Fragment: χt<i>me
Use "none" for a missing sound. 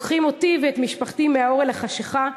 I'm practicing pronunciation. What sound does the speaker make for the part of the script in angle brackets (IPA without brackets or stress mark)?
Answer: i